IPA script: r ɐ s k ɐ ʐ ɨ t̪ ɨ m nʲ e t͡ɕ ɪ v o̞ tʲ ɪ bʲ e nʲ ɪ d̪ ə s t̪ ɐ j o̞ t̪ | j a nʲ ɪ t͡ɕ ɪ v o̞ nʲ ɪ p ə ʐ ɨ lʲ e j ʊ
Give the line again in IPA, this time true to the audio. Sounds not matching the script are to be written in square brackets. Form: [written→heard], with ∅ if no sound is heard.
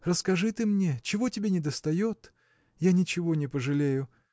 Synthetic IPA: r [ɐ→ə] s k ɐ ʐ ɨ t̪ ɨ m nʲ e t͡ɕ ɪ v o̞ tʲ ɪ bʲ e nʲ ɪ d̪ ə s t̪ ɐ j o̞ t̪ | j a nʲ ɪ t͡ɕ ɪ v o̞ nʲ ɪ p ə ʐ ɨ lʲ e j ʊ